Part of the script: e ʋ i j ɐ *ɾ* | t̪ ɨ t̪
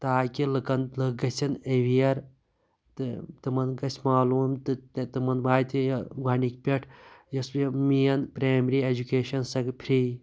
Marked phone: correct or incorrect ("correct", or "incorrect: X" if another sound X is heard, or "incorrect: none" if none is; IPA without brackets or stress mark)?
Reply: correct